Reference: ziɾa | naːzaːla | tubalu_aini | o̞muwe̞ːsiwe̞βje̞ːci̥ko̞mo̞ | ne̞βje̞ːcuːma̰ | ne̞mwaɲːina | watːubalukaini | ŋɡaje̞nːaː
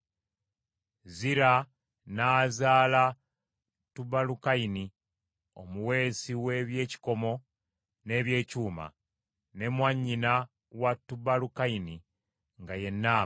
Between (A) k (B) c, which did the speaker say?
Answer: A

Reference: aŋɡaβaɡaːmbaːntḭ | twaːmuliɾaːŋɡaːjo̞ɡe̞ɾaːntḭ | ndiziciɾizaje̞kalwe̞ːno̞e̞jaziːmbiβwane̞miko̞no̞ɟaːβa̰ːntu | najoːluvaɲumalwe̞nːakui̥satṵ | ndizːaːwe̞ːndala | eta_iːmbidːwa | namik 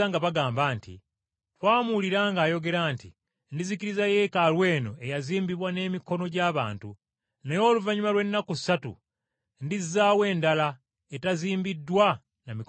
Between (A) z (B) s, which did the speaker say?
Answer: A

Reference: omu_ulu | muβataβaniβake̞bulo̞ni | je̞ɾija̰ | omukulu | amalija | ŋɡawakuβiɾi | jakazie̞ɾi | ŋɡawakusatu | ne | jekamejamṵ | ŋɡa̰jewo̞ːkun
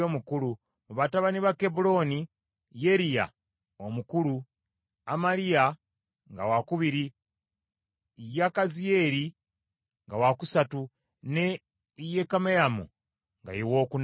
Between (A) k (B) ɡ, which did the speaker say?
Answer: A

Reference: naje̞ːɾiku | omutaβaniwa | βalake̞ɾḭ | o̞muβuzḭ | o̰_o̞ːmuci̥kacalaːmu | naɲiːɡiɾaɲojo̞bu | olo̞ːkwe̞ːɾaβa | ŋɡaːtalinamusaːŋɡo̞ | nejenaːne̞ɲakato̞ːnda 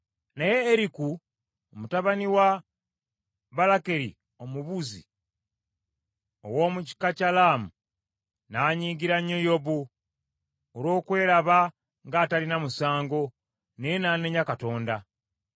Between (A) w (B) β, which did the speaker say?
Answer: A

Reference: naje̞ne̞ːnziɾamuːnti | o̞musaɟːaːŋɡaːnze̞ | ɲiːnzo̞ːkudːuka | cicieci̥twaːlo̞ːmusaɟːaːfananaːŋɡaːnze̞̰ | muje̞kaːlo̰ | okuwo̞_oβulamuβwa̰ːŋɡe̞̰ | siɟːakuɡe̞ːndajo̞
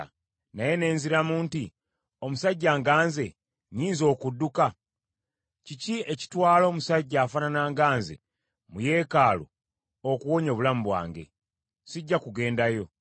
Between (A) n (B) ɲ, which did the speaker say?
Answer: B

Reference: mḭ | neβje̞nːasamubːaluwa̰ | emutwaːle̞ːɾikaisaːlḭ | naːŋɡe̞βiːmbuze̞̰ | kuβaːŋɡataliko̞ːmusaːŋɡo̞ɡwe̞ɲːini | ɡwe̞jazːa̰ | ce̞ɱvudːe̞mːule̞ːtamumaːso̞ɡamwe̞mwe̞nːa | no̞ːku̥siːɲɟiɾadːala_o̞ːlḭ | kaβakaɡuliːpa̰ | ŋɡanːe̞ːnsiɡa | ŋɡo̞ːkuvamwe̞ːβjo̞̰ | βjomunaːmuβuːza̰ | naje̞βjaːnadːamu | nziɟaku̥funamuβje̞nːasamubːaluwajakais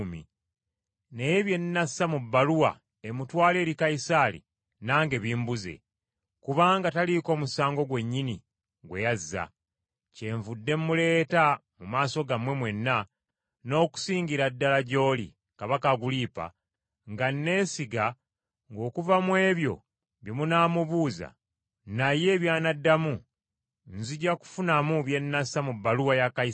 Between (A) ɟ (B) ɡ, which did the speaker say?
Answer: A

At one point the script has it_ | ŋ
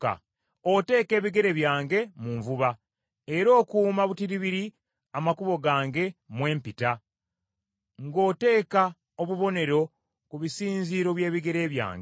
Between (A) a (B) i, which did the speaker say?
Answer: A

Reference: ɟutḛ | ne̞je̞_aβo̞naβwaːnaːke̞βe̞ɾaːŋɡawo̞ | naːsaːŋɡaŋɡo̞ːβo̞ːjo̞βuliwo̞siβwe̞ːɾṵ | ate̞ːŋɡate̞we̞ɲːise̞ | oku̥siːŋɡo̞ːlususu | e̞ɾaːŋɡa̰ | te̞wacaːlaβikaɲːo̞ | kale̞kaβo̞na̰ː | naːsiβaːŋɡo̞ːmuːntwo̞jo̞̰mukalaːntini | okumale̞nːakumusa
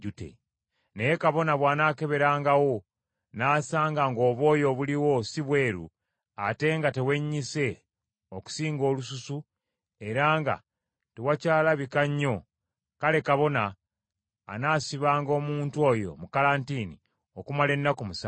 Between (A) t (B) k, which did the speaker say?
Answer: B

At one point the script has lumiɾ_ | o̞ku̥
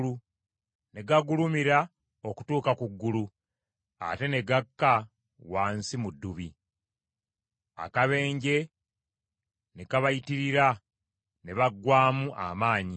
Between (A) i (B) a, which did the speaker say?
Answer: B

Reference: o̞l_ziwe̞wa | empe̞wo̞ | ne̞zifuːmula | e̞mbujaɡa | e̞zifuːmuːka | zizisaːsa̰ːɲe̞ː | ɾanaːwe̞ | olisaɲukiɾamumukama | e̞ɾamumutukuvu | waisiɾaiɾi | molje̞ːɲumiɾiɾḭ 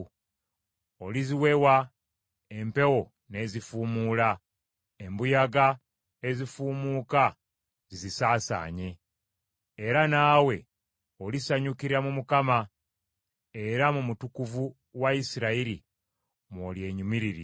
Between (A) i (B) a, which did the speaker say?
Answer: A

